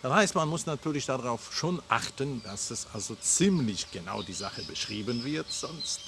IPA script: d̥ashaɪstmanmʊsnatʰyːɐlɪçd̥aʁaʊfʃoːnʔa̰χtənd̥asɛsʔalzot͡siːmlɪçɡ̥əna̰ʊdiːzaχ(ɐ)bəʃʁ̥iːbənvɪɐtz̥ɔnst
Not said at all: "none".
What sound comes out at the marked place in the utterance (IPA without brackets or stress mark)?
ə